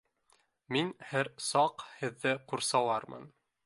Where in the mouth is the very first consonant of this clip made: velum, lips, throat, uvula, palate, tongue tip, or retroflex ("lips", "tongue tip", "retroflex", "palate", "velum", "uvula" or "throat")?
lips